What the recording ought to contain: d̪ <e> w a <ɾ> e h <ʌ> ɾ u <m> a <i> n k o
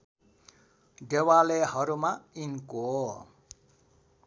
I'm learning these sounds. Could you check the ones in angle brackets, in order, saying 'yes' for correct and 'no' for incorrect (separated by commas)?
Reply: yes, no, yes, yes, yes